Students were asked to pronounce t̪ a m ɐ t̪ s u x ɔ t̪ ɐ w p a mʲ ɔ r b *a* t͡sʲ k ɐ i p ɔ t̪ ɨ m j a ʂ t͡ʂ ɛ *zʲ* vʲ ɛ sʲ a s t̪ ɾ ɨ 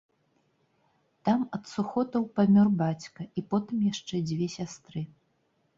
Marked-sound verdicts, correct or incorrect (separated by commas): correct, incorrect